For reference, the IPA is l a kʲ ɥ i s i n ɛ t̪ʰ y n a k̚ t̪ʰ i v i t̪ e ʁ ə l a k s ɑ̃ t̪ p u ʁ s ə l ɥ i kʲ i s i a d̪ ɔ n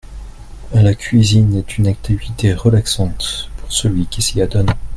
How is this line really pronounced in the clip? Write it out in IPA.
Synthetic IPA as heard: l a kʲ ɥ i z i n ɛ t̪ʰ y n a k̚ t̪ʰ i v i t̪ e ʁ ə l a k s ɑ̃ t̪ p u ʁ s ə l ɥ i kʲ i s i a d̪ ɔ n